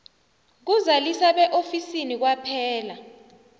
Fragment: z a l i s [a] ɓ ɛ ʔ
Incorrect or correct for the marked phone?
correct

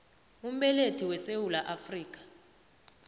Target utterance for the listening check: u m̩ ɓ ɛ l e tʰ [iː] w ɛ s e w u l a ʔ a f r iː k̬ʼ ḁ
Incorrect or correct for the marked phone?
incorrect: i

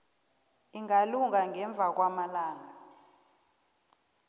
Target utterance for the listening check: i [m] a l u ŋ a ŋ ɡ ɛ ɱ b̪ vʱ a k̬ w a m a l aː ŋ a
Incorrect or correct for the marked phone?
incorrect: ŋ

